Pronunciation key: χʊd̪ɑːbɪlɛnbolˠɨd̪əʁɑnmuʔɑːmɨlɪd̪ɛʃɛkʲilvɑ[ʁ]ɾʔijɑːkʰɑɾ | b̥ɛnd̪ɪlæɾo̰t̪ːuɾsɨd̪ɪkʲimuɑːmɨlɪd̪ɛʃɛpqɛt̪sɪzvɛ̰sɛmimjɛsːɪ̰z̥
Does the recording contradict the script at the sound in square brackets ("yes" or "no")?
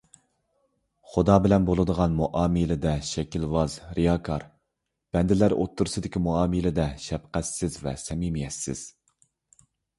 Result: yes